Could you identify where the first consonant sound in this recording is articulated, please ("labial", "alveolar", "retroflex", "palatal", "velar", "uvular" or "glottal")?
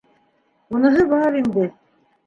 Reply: alveolar